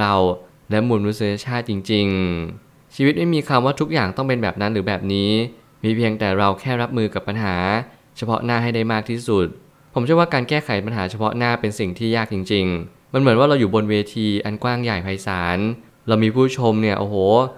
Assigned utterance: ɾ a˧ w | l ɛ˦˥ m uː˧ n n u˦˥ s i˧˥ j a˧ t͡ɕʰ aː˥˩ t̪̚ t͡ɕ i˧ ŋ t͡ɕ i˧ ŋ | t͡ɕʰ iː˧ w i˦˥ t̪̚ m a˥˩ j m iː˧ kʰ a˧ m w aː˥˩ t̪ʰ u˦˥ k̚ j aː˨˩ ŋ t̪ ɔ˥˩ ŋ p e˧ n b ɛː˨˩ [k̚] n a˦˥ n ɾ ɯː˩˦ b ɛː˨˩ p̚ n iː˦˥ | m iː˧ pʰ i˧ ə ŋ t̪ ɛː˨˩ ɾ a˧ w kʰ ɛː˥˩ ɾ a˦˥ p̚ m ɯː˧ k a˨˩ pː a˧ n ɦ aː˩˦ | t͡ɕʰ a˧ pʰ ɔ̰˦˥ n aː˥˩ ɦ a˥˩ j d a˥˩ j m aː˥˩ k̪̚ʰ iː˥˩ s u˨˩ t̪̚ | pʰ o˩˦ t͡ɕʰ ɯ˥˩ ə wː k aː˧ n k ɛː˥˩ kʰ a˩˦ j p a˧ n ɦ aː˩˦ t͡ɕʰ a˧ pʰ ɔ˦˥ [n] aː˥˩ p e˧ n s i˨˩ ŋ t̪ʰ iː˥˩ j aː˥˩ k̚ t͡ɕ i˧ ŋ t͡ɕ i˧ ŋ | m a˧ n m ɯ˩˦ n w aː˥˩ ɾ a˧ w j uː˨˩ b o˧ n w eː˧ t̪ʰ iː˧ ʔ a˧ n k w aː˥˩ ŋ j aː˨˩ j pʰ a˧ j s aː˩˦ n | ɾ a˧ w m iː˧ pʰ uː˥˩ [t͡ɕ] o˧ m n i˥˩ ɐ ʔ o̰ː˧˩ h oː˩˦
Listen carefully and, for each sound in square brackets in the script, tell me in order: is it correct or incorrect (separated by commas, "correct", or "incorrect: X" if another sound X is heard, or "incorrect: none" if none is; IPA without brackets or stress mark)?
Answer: incorrect: p̚, correct, incorrect: t͡ɕʰ